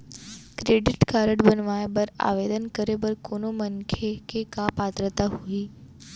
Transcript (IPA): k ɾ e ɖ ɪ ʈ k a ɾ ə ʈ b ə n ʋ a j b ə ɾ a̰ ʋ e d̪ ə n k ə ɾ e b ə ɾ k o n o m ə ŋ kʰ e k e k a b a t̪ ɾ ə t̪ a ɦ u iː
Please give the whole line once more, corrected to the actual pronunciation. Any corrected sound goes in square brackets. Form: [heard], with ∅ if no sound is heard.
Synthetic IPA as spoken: k ɾ e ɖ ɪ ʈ k a ɾ ə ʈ b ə n ʋ a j b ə ɾ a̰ ʋ e d̪ ə n k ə ɾ e b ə ɾ k o n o m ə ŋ kʰ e k e k a [p] a t̪ ɾ ə t̪ a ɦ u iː